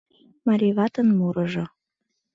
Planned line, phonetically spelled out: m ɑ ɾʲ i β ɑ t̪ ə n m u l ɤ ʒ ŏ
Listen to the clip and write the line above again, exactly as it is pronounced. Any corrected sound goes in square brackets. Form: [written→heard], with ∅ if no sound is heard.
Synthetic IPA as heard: m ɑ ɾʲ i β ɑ t̪ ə n m u [l→ɾ] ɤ ʒ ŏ